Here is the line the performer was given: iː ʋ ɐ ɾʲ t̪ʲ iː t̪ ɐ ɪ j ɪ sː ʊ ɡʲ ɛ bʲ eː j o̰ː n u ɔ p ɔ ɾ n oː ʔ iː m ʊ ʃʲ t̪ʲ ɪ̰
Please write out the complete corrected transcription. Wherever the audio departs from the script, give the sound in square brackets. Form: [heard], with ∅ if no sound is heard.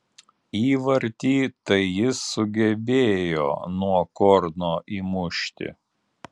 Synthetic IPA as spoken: iː ʋ ɐ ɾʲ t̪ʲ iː t̪ ɐ ɪ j ɪ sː ʊ ɡʲ ɛ bʲ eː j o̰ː n u ɔ [k] ɔ ɾ n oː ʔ iː m ʊ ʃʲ t̪ʲ ɪ̰